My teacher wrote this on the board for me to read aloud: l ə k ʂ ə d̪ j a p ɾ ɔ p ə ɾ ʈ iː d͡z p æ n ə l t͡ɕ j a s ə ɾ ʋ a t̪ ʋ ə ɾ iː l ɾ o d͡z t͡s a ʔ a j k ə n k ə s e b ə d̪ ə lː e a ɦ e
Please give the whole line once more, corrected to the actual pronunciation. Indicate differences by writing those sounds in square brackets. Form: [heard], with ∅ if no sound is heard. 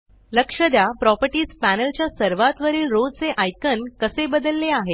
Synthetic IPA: l ə k ʂ ə d̪ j a p ɾ ɔ p ə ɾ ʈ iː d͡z p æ n ə l t͡ɕ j a s ə ɾ ʋ a t̪ ʋ ə ɾ iː l ɾ o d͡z t͡s [e] ʔ a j k ə n k ə s e b ə d̪ ə lː e a ɦ e